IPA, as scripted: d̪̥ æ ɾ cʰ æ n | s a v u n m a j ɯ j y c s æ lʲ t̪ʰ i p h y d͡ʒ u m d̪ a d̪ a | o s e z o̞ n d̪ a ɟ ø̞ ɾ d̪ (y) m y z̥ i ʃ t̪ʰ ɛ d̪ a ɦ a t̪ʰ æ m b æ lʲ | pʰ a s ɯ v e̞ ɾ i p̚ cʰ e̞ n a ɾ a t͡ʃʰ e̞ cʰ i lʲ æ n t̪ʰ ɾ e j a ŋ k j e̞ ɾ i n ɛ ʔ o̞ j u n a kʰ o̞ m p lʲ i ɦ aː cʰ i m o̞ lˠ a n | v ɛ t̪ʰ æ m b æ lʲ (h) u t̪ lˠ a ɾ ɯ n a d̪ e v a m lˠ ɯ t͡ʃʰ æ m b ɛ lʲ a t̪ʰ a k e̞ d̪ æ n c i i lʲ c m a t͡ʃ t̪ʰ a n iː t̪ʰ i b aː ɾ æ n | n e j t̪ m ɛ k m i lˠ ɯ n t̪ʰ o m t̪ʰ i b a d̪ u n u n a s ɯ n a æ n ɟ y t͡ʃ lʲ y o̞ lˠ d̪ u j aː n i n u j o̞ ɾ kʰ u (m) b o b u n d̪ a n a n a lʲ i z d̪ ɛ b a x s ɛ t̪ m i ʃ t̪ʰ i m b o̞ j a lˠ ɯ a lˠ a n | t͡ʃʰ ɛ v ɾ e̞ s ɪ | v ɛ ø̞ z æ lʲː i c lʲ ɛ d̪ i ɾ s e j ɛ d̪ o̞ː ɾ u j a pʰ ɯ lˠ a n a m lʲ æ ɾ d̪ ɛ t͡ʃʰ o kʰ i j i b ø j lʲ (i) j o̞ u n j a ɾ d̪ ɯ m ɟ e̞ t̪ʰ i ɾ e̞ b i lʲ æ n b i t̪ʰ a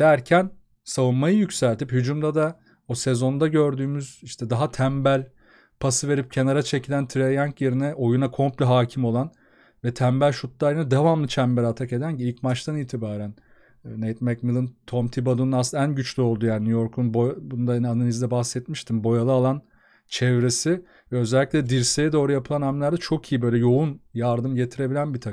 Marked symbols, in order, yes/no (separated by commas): no, no, no, no